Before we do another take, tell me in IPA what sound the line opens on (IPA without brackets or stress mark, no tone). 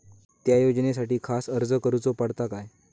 t̪